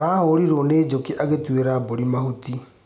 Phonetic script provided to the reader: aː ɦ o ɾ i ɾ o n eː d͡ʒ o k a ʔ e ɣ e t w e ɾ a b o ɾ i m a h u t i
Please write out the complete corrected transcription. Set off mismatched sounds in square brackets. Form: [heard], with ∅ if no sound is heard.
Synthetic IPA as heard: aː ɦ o ɾ i ɾ o n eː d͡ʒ o k [i] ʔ [a] ɣ e t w e ɾ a b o ɾ i m a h u t i